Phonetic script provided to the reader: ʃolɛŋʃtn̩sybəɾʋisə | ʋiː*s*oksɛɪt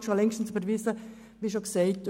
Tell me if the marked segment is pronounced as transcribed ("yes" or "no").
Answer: no